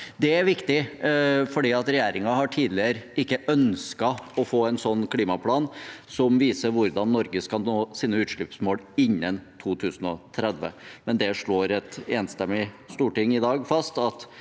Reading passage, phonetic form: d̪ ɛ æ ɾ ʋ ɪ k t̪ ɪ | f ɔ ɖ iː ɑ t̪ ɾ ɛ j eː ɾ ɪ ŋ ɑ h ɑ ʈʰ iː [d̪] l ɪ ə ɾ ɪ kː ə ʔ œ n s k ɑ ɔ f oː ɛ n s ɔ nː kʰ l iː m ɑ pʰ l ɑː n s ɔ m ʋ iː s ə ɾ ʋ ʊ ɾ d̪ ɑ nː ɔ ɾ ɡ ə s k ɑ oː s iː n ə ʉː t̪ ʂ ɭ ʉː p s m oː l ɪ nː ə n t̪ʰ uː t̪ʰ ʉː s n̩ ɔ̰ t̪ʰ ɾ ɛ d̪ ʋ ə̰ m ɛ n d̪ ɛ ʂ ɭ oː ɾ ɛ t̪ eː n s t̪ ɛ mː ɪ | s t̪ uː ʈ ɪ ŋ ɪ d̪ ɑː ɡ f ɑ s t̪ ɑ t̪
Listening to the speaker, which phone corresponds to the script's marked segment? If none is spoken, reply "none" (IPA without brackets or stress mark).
d̪